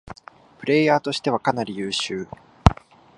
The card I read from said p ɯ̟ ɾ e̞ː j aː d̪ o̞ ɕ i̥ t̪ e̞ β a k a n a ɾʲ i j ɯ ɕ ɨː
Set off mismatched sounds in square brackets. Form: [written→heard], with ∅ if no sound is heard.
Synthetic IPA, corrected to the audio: p ɯ̟ ɾ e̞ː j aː [d̪→t̪] o̞ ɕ i̥ t̪ e̞ β a k a n a ɾʲ i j [ɯ→ɯː] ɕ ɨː